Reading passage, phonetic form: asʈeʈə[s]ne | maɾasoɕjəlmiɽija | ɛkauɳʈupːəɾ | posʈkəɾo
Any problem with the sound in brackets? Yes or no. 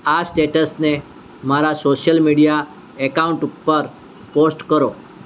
no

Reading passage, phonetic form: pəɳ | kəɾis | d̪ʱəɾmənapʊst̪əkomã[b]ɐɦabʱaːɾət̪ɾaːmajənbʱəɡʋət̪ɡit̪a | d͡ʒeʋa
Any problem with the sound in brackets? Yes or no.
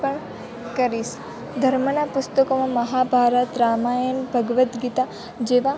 yes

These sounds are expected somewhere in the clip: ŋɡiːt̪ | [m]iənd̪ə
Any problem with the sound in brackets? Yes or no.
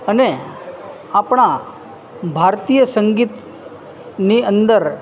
yes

